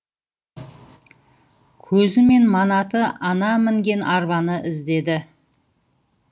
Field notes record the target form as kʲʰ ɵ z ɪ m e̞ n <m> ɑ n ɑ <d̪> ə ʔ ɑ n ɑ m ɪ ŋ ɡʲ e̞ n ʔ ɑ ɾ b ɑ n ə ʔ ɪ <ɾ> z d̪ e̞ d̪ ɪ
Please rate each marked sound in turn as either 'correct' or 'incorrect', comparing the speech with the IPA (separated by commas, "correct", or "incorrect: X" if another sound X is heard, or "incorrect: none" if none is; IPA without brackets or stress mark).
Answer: correct, incorrect: t̪, incorrect: none